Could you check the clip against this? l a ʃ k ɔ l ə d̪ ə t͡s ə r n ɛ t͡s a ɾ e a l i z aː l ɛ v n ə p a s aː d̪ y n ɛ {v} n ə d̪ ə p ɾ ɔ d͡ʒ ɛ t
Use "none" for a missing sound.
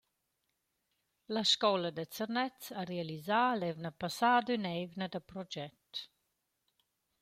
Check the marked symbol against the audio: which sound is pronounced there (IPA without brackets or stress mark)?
v